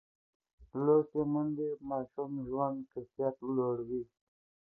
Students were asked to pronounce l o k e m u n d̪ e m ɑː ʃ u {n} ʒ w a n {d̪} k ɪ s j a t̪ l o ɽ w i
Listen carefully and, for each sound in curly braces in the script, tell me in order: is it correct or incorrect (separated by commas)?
incorrect, correct